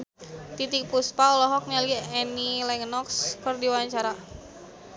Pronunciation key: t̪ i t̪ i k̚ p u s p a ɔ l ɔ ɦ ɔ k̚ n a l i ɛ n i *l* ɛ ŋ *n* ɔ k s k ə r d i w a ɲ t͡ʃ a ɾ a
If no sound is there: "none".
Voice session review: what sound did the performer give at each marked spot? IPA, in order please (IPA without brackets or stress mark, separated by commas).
l, n